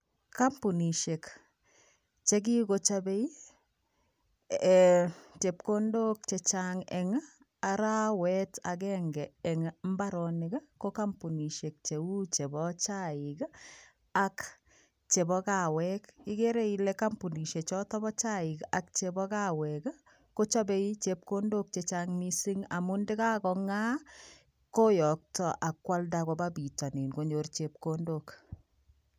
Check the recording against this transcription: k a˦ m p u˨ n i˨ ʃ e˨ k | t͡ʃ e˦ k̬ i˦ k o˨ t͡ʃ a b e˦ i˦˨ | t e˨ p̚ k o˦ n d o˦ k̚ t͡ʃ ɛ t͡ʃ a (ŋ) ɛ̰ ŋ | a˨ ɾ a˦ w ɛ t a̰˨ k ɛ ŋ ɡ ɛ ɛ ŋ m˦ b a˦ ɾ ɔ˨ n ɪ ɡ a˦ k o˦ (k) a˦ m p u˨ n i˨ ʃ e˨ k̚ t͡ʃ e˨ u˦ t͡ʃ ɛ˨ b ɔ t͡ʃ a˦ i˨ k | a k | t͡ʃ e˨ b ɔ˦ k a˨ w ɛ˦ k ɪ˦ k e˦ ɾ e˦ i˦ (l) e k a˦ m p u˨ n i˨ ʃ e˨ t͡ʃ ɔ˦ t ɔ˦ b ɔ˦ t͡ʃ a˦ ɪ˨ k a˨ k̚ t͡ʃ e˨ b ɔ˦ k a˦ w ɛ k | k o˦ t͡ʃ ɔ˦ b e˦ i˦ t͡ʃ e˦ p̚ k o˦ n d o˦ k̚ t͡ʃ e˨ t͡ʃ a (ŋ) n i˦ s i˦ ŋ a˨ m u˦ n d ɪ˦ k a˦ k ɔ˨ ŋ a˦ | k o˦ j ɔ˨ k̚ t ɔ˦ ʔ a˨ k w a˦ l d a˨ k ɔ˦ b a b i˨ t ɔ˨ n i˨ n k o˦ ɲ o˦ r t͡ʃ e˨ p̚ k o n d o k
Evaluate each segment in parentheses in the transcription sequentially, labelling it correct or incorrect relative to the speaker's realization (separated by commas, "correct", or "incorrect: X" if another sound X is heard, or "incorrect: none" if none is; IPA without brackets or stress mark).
correct, correct, correct, correct